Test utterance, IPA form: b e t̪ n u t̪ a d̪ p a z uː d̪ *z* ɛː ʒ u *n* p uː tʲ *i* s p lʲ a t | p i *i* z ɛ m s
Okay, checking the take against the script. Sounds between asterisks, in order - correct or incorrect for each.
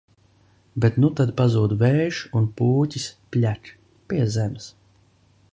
incorrect: v, correct, correct, incorrect: ɛ

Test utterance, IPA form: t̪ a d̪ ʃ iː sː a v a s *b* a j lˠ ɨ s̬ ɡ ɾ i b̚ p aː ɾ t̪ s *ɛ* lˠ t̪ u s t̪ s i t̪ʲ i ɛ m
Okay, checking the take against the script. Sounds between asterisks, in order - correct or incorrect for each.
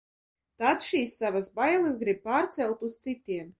correct, correct

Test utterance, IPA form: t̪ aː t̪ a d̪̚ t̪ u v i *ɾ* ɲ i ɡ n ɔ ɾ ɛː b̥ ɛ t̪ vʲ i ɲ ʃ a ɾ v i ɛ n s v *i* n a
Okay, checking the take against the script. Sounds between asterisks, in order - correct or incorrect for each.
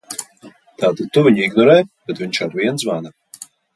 incorrect: none, incorrect: a

